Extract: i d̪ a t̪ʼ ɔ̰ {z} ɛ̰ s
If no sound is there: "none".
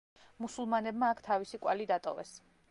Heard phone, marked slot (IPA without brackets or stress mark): v